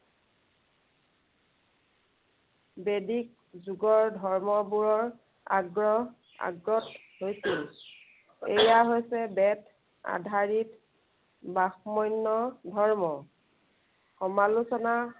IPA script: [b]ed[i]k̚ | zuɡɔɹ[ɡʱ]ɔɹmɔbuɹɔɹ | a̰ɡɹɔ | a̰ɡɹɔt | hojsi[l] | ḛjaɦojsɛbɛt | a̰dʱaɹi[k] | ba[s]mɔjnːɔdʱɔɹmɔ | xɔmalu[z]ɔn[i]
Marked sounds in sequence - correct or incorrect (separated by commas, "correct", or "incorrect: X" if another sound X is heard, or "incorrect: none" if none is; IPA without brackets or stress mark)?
correct, correct, incorrect: dʱ, correct, incorrect: t, incorrect: x, incorrect: s, incorrect: a